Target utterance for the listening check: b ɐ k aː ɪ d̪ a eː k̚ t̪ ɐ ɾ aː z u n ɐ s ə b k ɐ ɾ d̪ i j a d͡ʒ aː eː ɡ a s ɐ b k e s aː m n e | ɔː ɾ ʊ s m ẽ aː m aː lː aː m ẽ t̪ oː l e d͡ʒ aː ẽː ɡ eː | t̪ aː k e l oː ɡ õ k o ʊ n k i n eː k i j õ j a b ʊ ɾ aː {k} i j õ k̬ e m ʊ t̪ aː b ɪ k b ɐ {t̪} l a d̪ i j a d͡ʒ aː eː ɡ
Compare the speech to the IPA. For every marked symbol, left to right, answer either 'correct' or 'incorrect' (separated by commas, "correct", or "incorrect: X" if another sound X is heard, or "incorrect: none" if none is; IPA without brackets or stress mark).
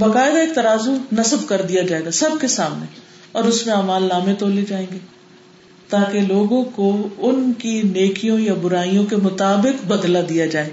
incorrect: none, incorrect: d̪